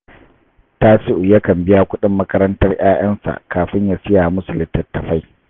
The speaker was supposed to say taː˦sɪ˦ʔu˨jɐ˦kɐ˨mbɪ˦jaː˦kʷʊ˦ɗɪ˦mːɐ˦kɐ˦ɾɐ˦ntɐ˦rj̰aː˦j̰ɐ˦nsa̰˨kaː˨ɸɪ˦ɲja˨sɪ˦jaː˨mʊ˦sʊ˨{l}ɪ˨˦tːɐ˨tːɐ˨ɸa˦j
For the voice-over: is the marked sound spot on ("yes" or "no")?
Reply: yes